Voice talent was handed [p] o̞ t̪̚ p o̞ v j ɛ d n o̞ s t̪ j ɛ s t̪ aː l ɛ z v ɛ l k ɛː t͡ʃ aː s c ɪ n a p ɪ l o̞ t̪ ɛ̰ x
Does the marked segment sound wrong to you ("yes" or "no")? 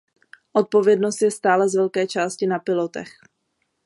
yes